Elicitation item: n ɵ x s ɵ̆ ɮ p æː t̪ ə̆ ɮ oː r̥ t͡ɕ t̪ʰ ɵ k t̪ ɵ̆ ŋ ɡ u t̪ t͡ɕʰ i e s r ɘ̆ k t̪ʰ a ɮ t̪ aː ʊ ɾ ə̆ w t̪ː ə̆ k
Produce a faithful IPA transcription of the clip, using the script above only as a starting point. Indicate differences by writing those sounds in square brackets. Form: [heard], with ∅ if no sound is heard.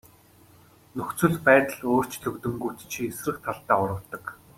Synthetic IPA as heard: n ɵ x [t͡s] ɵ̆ ɮ p æː t̪ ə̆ ɮ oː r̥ t͡ɕ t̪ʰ ɵ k t̪ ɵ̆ ŋ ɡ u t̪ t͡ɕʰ i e s r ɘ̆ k t̪ʰ a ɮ t̪ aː ʊ ɾ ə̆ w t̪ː ə̆ k